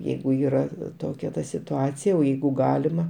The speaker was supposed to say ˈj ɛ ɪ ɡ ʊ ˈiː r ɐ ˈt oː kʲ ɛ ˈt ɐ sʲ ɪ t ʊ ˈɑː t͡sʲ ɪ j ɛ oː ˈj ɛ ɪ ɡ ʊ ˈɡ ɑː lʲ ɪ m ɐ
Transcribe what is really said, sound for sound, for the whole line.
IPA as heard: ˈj ɛ ɪ ɡ ʊ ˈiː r ɐ ˈt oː kʲ ɛ ˈt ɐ sʲ ɪ t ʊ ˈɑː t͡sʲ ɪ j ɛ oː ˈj ɛ ɪ ɡ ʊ ˈɡ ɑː lʲ ɪ m ɐ